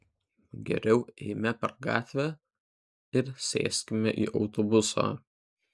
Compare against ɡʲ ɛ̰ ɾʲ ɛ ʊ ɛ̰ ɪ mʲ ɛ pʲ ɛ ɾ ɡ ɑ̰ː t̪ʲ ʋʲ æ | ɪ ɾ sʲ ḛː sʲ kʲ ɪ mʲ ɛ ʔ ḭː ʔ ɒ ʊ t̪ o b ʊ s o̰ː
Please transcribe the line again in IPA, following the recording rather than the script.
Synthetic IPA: ɡʲ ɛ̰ ɾʲ ɛ ʊ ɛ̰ ɪ mʲ ɛ pʲ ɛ ɾ ɡ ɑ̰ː t̪ʲ ʋʲ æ | ɪ ɾ sʲ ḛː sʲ kʲ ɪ mʲ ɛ ʔ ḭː ʔ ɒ ʊ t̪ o b ʊ s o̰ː

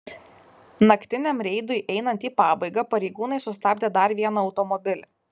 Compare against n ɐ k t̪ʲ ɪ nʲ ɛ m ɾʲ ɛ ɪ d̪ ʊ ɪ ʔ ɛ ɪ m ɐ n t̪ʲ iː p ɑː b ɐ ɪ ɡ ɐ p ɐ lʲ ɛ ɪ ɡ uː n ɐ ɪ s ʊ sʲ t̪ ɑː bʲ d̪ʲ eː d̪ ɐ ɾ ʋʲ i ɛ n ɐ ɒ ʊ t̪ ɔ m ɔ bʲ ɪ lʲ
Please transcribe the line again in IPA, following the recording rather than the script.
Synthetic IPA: n ɐ k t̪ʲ ɪ nʲ ɛ m ɾʲ ɛ ɪ d̪ ʊ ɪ ʔ ɛ ɪ n ɐ n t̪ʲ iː p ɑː b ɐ ɪ ɡ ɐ p ɐ ɾʲ ɛ ɪ ɡ uː n ɐ ɪ s ʊ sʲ t̪ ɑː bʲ d̪ʲ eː d̪ ɐ ɾ ʋʲ i ɛ n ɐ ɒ ʊ t̪ ɔ m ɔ bʲ ɪ lʲ

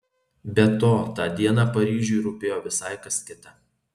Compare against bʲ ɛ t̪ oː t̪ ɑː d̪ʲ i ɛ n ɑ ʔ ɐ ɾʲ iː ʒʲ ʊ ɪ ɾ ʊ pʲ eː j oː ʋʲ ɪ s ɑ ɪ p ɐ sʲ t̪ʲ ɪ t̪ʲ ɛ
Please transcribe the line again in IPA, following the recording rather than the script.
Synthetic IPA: bʲ ɛ t̪ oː t̪ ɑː d̪ʲ i ɛ n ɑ p ɐ ɾʲ iː ʒʲ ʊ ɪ ɾ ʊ pʲ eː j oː ʋʲ ɪ s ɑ ɪ k ɐ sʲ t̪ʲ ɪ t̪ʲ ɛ

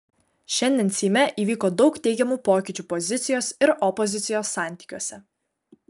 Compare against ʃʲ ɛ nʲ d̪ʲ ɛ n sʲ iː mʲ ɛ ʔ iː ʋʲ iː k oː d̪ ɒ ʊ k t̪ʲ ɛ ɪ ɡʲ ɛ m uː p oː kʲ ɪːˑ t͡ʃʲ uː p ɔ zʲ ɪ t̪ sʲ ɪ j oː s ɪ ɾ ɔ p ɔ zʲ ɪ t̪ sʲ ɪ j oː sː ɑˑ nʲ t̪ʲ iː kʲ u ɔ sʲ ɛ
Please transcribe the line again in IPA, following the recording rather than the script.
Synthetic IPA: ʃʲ ɛ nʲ d̪ʲ ɛ n sʲ iː mʲ ɛ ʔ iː ʋʲ iː k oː d̪ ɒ ʊ k t̪ʲ ɛ ɪ ɡʲ ɛ m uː p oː kʲ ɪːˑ t͡ʃʲ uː p ɔ zʲ ɪ t̪ sʲ ɪ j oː s ɪ ɾ ɔ p ɔ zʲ ɪ t̪ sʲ ɪ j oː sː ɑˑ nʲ t̪ʲ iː kʲ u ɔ sʲ ɛ

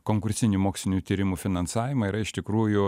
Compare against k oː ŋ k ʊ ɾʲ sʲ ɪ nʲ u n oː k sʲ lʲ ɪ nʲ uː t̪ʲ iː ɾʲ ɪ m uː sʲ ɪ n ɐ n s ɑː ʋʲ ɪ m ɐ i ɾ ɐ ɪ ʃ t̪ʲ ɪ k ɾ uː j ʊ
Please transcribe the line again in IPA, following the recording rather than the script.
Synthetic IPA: k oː ŋ k ʊ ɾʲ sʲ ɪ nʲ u m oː k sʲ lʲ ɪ nʲ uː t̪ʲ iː ɾʲ ɪ m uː fʲ ɪ n ɐ n s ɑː ʋʲ ɪ m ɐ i ɾ ɐ ɪ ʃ t̪ʲ ɪ k ɾ uː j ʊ

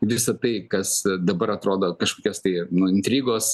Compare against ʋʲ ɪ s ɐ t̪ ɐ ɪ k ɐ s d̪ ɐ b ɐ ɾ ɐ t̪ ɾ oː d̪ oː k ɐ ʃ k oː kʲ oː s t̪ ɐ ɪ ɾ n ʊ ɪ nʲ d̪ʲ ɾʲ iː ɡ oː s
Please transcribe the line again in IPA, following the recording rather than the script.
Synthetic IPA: ʋʲ ɪ s ɐ t̪ ɐ ɪ k ɐ s d̪ ɐ b ɐ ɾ ɐ t̪ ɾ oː d̪ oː k ɐ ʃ k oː kʲ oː s t̪ ɐ ɪ n ʊ ɪ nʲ t̪ʲ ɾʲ iː ɡ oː s

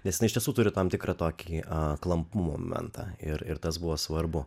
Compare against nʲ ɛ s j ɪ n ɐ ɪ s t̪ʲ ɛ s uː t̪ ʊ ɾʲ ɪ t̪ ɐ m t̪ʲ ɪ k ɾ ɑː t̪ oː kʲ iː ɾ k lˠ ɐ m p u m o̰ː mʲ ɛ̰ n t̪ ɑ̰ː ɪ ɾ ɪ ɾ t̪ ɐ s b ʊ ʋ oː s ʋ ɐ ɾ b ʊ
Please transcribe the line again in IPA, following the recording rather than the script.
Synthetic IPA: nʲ ɛ s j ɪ n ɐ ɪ ʃ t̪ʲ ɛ s uː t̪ ʊ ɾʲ ɪ t̪ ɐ m t̪ʲ ɪ k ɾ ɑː t̪ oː kʲ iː k lˠ ɐ m p u m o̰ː mʲ ɛ̰ n t̪ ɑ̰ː ɪ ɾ ɪ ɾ t̪ ɐ s b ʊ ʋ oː s ʋ ɐ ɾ b ʊ

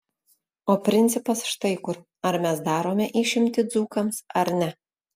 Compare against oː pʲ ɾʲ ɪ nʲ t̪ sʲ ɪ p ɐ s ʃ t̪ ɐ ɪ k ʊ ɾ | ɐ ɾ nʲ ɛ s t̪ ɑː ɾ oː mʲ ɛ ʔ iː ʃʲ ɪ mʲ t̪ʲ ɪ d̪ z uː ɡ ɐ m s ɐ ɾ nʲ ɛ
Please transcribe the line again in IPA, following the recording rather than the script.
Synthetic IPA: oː pʲ ɾʲ ɪ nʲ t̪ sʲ ɪ p ɐ s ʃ t̪ ɐ ɪ k ʊ ɾ | ɐ ɾ mʲ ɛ s d̪ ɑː ɾ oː mʲ ɛ ʔ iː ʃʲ ɪ mʲ t̪ʲ ɪ d̪ z uː k ɐ m s ɐ ɾ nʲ ɛ

